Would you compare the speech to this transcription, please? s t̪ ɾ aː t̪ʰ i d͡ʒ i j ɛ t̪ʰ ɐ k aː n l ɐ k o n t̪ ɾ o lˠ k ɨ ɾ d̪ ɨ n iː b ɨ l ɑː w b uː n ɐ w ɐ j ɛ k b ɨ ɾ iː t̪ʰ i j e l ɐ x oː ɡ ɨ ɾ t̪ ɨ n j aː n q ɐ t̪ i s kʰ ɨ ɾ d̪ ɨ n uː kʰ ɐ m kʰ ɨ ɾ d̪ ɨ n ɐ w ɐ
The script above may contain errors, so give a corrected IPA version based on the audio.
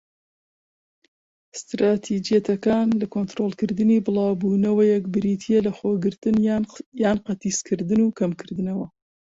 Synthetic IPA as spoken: s t̪ ɾ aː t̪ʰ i d͡ʒ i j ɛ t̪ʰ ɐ k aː n l ɐ k o n t̪ ɾ o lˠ k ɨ ɾ d̪ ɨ n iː b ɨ l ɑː w b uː n ɐ w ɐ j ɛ k b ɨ ɾ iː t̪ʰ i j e l ɐ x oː ɡ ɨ ɾ t̪ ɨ n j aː n q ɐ t̪ i s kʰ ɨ ɾ d̪ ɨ n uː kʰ ɐ m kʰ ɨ ɾ d̪ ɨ n ɐ w ɐ